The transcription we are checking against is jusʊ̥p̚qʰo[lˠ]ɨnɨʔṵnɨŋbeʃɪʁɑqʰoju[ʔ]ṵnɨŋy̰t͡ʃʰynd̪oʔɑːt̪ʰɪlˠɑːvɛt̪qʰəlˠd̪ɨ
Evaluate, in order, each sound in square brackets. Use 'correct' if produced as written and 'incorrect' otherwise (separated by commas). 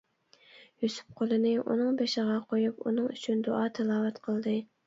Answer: correct, incorrect